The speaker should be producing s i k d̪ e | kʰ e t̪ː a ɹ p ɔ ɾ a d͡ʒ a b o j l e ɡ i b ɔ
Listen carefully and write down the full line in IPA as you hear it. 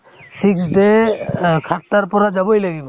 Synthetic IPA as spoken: s i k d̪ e | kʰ a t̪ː a ɾ p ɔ ɾ a d͡ʒ a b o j l a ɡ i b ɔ